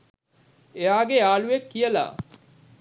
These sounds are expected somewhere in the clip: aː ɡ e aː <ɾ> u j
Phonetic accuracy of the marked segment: incorrect: l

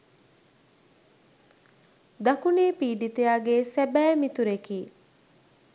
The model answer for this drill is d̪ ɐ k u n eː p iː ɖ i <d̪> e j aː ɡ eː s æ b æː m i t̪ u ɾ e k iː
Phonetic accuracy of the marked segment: incorrect: t̪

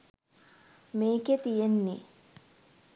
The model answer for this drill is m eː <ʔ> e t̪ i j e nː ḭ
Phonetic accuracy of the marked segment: incorrect: k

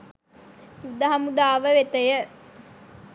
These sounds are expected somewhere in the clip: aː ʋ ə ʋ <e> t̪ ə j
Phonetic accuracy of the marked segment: correct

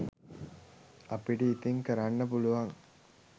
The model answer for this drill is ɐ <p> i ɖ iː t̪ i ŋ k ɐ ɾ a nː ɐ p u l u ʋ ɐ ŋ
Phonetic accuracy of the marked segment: correct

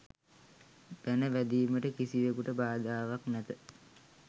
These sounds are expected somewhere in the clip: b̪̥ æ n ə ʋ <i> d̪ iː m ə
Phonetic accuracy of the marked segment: incorrect: æ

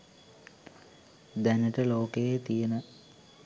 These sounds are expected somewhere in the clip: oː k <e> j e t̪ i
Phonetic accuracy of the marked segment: correct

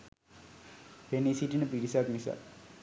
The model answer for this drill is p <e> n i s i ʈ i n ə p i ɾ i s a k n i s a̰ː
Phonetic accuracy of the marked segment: correct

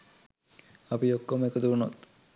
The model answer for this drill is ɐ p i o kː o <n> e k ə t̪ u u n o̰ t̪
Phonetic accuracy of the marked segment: incorrect: m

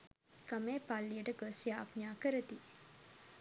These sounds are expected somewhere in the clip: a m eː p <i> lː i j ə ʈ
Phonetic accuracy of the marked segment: incorrect: a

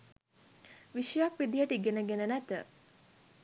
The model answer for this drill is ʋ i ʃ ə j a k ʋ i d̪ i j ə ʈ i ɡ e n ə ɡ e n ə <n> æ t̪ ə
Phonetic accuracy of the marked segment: correct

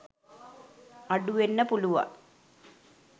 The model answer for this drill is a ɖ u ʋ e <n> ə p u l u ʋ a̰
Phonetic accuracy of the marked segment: incorrect: nː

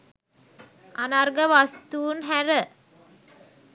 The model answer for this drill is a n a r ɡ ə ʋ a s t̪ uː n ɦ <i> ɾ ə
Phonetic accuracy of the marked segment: incorrect: æ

